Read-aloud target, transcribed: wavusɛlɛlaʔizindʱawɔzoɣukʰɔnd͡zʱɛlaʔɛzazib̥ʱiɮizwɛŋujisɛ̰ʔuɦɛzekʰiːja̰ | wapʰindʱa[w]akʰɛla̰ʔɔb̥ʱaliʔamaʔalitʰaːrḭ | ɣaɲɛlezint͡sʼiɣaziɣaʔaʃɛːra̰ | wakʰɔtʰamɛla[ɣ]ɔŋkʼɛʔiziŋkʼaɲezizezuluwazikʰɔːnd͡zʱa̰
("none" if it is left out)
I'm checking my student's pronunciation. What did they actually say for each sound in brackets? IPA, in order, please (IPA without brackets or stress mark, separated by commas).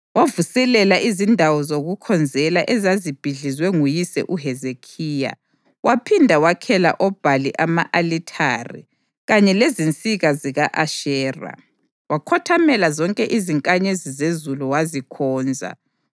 w, z